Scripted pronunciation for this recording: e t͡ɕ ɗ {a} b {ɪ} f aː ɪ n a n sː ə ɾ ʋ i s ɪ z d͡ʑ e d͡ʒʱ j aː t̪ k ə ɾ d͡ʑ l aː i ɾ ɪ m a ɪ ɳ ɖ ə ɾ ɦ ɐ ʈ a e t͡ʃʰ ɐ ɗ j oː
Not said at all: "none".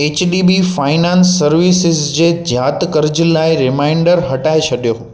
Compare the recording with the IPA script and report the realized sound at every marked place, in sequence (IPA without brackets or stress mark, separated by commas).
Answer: i, i